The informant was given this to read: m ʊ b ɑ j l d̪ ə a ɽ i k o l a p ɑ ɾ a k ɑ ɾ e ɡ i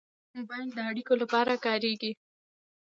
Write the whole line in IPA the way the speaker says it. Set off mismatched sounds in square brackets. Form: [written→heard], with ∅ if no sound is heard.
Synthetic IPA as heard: m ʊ b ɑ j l d̪ ə a ɽ i k o l a p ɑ ɾ a k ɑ ɾ e ɡ i